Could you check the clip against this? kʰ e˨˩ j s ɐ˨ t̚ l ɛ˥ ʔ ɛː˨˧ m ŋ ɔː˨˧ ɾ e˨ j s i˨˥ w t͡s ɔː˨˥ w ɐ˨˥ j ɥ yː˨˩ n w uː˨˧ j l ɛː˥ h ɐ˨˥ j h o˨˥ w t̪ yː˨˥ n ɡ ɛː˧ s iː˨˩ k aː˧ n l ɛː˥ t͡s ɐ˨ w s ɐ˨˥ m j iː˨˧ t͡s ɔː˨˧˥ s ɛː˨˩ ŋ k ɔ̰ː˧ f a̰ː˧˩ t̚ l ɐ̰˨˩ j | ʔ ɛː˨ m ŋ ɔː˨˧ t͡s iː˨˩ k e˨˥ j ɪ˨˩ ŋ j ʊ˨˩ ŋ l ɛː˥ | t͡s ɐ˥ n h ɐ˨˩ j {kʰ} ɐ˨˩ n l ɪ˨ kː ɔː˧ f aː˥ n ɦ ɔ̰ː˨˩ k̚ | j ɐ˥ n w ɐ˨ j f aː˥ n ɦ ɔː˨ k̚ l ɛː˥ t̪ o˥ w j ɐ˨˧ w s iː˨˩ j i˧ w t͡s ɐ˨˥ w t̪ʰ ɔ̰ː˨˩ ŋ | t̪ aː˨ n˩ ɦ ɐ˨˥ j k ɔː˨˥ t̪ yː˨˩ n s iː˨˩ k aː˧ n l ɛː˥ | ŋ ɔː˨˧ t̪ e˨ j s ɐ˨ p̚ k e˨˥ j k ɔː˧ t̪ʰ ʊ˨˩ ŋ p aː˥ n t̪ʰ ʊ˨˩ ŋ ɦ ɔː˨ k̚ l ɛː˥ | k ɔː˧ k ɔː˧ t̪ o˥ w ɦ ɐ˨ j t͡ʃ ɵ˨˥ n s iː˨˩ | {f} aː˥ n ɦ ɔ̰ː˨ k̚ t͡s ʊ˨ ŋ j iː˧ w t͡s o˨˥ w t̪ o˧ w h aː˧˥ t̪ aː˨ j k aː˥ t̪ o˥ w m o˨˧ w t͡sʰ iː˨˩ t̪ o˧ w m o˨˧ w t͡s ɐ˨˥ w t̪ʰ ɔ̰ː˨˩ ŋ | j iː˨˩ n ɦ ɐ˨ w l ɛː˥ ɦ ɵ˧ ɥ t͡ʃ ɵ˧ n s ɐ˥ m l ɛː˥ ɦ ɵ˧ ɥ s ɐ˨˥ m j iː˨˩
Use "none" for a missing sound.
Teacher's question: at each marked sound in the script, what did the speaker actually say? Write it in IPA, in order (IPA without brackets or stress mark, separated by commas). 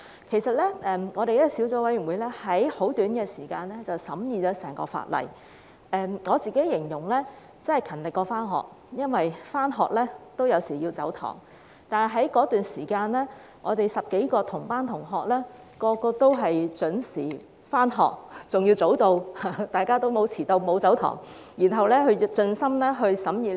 kʰ, f